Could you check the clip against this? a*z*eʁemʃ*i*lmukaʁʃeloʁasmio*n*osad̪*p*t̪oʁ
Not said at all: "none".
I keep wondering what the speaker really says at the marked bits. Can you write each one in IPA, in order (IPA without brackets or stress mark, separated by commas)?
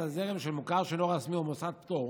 z, e, m, p